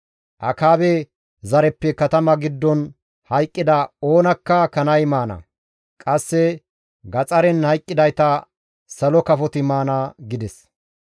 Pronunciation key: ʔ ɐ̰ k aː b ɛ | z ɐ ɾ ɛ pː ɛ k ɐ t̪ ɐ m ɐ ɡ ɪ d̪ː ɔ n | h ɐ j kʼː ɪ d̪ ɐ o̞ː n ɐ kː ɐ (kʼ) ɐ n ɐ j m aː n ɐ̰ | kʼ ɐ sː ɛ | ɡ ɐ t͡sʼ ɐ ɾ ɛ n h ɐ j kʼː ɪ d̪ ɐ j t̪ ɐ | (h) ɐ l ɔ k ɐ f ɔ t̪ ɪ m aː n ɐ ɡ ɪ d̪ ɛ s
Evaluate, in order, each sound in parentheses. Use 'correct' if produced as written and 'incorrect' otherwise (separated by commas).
incorrect, incorrect